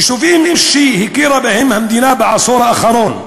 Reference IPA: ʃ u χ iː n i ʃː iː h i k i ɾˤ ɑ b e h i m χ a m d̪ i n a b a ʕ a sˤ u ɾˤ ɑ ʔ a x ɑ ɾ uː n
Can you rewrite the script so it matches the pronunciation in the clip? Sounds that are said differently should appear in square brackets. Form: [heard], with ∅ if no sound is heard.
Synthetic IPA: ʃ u [f] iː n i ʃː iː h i k i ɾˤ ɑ b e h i m [h] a m d̪ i n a b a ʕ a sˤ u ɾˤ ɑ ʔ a x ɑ ɾ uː n